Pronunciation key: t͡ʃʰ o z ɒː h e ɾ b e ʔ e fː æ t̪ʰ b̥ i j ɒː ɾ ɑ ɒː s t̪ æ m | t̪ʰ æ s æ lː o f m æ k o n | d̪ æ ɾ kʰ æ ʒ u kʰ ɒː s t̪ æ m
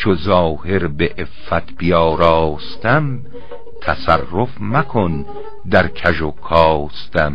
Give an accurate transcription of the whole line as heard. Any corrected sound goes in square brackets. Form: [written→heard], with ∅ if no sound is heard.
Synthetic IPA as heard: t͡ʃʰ o z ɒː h e ɾ b e ʔ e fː æ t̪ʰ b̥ i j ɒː ɾ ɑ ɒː s t̪ æ m | t̪ʰ æ s æ [lː→rː] o f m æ [k→kʰ] o n | d̪ æ ɾ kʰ æ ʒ [u→o] kʰ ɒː s t̪ æ m